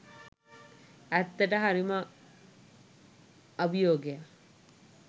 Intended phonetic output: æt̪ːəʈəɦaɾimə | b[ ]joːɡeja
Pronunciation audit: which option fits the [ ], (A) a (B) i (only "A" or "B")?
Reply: B